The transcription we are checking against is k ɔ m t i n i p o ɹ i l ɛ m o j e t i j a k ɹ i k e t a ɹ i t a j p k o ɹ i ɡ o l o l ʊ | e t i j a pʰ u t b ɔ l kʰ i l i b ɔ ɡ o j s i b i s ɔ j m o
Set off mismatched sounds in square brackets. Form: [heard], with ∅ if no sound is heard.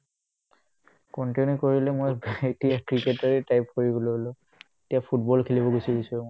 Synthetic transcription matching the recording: k ɔ [n] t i n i [k] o ɹ i l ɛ m o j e t i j a k ɹ i k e t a ɹ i t a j p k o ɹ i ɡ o l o l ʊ | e t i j a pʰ u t b ɔ l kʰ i l i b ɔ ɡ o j s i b i s ɔ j m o